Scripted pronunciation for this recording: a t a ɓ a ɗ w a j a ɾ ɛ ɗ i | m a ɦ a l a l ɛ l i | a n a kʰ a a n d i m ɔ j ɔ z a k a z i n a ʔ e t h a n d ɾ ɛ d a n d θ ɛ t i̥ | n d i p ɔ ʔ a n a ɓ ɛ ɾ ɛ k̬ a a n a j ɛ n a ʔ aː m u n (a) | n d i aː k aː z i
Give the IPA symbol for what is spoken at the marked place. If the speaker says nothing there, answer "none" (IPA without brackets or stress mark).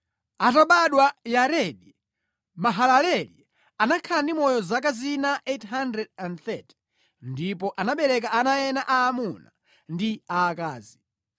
a